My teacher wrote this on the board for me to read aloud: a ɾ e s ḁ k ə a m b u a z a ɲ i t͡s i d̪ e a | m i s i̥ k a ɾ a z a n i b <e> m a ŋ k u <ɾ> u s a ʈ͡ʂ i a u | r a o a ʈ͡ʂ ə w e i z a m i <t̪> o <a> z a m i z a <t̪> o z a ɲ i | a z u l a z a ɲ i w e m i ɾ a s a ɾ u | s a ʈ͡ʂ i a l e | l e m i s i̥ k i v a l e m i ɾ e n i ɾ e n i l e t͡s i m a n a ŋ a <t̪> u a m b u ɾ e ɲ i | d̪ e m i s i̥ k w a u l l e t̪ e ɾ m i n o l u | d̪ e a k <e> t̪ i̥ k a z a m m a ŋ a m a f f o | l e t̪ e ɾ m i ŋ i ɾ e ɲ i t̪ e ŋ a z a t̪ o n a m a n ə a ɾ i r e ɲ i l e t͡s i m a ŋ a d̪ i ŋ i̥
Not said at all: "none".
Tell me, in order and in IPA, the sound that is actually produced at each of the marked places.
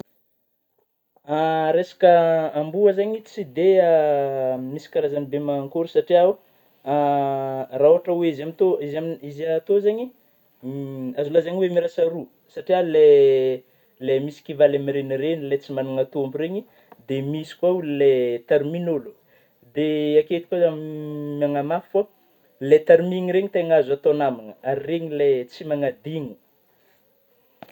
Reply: e, ɾ, t̪, i, t̪, t̪, e

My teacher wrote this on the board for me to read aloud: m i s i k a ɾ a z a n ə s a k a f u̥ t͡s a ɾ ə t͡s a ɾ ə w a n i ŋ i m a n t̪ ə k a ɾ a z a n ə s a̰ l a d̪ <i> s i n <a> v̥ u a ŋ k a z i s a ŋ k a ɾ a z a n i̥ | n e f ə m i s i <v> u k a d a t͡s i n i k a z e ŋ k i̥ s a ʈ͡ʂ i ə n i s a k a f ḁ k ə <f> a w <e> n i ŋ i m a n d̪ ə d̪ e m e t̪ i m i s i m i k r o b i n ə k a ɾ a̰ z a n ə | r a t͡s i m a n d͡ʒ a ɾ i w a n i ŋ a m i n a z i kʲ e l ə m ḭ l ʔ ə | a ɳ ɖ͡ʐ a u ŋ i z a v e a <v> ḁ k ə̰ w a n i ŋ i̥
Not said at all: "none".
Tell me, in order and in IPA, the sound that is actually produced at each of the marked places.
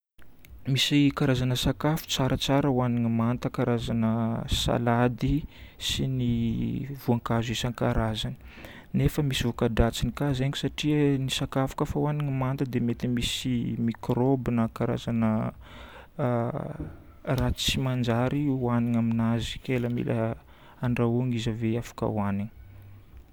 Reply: i, i, v, f, a, f

